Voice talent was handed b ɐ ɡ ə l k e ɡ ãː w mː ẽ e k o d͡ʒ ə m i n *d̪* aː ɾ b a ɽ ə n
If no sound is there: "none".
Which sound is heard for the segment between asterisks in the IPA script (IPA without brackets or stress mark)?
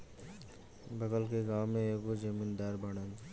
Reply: d̪